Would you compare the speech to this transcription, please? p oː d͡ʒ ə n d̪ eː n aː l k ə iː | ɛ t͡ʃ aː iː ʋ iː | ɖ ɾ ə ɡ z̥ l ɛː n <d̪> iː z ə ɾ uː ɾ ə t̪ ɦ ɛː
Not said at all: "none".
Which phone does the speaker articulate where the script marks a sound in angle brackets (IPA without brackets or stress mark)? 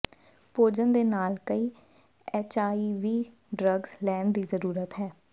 d̪